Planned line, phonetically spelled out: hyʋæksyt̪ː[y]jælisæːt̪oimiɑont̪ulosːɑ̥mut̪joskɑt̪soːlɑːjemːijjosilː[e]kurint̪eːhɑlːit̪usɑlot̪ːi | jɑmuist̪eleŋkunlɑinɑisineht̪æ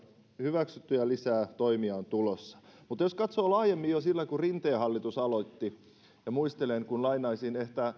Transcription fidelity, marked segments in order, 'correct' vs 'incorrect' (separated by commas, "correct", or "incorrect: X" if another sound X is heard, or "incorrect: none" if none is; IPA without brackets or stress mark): correct, incorrect: æ